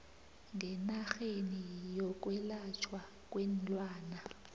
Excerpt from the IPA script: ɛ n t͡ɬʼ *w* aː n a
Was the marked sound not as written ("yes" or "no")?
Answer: no